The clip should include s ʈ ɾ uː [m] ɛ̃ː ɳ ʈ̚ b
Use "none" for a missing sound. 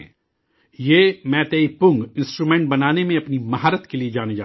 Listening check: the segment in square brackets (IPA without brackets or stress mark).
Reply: m